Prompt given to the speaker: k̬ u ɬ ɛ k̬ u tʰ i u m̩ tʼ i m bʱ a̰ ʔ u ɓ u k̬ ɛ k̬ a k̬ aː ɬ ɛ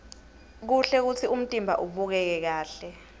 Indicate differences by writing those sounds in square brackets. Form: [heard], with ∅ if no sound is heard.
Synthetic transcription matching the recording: k̬ u ɬ ɛ k̬ u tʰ i u m̩ tʼ i m bʱ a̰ ʔ u ɓ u k̬ ɛ k̬ [ɛ] k̬ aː ɬ ɛ